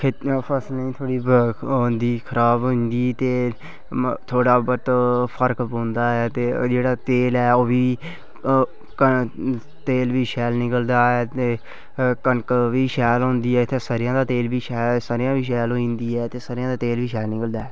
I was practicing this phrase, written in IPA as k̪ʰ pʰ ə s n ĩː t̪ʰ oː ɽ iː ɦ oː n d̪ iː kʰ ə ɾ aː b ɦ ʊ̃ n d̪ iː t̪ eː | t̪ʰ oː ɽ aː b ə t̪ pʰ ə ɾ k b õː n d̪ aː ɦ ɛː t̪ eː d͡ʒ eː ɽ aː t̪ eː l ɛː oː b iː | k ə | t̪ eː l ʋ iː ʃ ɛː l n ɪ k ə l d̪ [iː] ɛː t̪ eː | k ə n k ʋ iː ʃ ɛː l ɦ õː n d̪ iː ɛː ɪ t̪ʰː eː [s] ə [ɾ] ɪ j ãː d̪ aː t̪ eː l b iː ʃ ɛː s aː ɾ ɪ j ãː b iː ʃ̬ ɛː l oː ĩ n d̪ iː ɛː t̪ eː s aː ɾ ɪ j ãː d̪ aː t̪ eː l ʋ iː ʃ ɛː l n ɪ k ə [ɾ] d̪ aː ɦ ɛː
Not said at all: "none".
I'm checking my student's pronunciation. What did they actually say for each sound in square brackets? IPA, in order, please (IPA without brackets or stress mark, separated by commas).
aː, s, ɾ, l